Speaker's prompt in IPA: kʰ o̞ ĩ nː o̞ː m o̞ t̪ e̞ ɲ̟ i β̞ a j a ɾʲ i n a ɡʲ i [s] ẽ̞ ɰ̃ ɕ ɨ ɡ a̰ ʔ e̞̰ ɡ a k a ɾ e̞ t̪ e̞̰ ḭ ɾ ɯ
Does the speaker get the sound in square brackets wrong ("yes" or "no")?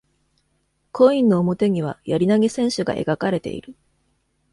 no